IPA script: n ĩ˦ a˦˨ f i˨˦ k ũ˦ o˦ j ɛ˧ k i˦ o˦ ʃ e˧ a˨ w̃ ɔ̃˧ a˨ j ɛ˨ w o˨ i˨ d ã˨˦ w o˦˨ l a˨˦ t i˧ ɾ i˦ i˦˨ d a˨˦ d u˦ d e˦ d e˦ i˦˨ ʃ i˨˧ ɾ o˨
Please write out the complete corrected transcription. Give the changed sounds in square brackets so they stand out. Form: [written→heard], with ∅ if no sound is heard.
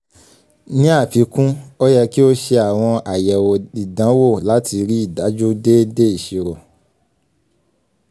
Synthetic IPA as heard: n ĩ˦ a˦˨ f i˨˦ k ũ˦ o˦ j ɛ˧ k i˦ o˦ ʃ e˧ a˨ w̃ ɔ̃˧ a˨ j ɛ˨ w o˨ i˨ d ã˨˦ w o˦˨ l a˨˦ t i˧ ɾ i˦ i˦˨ d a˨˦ [d→d͡ʒ] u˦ d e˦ d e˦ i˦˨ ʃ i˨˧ ɾ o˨

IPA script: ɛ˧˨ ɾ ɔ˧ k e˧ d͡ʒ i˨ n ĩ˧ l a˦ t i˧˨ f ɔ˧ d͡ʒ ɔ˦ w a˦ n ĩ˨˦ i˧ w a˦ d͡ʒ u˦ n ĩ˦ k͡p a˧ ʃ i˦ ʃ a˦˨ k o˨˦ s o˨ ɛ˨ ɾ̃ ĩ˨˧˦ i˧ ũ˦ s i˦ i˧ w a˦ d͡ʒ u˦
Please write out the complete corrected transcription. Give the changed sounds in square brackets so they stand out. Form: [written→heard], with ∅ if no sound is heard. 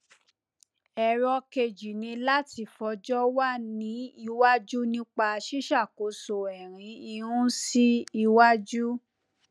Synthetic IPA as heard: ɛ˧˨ ɾ ɔ˧ k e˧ d͡ʒ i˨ n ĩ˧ l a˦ t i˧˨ f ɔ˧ d͡ʒ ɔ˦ w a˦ n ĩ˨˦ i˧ w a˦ d͡ʒ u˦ n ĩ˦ k͡p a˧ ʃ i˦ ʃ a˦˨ k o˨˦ s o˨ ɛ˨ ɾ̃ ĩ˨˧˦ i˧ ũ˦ s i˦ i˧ w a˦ d͡ʒ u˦

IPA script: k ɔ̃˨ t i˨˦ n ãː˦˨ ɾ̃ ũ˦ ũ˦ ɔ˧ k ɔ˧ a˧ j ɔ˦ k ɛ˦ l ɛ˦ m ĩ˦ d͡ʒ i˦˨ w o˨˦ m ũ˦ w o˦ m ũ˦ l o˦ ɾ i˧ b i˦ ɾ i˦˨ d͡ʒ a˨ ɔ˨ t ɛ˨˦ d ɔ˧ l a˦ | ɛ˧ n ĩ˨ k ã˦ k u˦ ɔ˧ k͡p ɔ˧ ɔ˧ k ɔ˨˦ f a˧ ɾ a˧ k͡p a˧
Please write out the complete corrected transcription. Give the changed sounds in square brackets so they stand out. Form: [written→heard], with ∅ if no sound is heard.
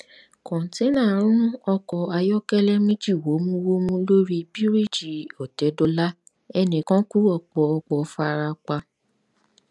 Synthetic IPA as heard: k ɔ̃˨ t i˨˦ n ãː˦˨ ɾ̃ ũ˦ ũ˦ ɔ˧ k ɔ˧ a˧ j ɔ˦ k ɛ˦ l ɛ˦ m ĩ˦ d͡ʒ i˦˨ w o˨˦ m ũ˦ w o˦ m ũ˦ l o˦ ɾ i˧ b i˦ ɾ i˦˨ d͡ʒ [a˨→i˨] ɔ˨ t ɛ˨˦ d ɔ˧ l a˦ | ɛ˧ n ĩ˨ k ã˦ k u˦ ɔ˧ k͡p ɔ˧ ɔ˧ [k→k͡p] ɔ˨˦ f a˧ ɾ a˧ k͡p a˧

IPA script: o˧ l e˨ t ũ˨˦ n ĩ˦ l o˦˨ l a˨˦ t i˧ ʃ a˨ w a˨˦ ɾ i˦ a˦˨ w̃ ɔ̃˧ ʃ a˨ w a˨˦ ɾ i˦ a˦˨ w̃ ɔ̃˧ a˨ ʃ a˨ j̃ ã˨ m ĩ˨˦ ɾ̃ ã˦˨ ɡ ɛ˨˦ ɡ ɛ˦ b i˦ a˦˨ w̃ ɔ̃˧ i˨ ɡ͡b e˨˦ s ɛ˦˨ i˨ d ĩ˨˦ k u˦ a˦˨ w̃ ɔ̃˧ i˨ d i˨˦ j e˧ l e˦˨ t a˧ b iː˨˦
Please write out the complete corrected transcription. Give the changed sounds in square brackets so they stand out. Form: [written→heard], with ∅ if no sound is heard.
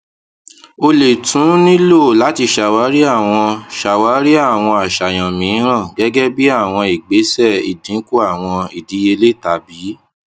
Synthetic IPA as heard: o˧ l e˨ t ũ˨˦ n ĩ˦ l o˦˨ l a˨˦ t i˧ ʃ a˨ w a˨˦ ɾ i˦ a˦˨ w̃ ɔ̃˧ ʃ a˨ w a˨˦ ɾ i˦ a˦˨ w̃ ɔ̃˧ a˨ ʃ a˨ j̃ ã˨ m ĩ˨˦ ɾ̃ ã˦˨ ɡ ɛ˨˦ ɡ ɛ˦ b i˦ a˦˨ w̃ ɔ̃˧ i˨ ɡ͡b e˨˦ s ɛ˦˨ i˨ d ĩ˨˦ k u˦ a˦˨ w̃ ɔ̃˧ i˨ d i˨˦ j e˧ l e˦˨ t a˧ b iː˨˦

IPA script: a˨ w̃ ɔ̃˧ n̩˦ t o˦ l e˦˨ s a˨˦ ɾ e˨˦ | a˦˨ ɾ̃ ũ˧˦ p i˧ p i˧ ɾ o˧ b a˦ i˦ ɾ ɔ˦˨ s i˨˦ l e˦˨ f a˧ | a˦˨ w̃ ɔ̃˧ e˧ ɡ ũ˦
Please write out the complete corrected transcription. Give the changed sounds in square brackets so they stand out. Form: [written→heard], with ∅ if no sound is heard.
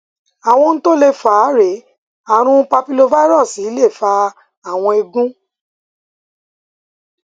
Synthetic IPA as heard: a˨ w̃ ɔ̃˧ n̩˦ t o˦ l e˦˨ [s→f] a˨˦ ɾ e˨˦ | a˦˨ ɾ̃ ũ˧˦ p [i˧→a˧] p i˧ [ɾ→l] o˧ [b→v] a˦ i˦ ɾ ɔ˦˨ s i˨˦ l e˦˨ f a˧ | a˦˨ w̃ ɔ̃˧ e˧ ɡ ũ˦

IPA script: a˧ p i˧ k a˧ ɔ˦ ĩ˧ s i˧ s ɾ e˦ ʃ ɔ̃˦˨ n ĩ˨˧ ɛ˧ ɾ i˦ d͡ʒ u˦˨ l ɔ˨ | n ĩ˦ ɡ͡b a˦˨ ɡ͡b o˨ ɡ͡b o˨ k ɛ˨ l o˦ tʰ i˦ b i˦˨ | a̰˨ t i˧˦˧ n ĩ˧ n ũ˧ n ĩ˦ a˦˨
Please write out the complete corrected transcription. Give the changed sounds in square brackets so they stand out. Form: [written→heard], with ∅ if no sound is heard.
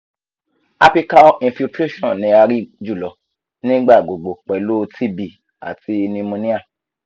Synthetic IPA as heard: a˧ p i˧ k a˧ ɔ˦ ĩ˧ [s→f] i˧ [s→t] ɾ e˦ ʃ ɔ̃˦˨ n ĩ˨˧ [ɛ˧→a˧] ɾ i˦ d͡ʒ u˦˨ l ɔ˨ | n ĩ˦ ɡ͡b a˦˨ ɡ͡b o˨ ɡ͡b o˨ [k→k͡p] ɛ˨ l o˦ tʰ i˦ b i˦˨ | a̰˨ t i˧˦˧ n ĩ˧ [n→m] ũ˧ n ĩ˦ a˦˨

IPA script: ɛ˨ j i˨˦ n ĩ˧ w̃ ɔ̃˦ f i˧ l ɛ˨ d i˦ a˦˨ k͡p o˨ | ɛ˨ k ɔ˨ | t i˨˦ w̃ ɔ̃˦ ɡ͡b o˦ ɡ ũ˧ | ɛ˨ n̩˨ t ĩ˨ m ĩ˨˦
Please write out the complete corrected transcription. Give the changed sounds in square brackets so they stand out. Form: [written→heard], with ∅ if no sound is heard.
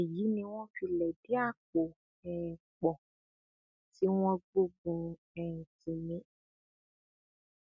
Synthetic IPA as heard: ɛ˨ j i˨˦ n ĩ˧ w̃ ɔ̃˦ f i˧ l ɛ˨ d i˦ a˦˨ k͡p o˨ | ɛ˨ [k→k͡p] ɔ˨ | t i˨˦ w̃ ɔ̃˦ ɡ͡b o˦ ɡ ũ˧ | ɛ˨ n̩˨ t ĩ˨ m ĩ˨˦

